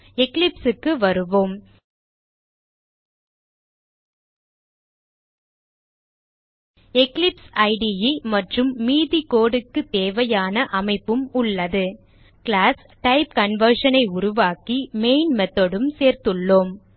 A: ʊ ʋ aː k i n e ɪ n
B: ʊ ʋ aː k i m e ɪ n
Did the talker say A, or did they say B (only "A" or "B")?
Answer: B